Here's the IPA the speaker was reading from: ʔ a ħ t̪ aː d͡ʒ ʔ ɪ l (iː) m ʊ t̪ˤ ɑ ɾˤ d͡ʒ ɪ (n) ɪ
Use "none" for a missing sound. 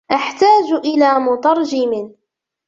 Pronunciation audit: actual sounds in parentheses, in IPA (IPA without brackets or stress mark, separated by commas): aː, m